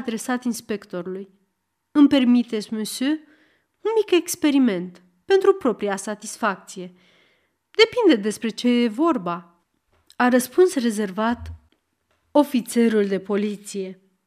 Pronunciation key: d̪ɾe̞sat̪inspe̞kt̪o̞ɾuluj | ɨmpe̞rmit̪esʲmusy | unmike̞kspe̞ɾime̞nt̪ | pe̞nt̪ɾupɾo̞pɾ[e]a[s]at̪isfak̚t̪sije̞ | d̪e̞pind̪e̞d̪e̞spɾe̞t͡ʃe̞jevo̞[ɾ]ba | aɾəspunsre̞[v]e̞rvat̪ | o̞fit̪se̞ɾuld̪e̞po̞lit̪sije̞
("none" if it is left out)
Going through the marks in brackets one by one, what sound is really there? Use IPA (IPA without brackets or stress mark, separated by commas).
i, s, r, z